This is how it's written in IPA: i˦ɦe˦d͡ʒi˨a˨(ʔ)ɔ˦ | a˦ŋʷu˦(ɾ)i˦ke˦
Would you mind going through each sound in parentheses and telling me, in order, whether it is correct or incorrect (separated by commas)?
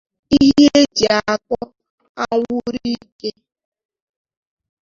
incorrect, correct